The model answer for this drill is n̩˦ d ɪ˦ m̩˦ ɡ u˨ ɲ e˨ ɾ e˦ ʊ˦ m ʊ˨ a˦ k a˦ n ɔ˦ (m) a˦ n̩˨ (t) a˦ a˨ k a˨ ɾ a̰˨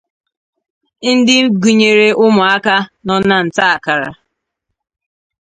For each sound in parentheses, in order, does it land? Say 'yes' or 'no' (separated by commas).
no, yes